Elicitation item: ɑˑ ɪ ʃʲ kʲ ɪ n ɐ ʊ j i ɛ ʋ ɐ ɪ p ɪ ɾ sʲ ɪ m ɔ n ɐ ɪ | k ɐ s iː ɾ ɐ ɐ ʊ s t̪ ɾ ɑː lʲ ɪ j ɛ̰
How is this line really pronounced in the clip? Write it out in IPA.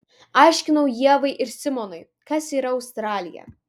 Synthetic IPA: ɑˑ ɪ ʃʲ kʲ ɪ n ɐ ʊ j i ɛ ʋ ɐ ɪ ʔ ɪ ɾ sʲ ɪ m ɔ n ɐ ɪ | k ɐ s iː ɾ ɐ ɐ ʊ s t̪ ɾ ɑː lʲ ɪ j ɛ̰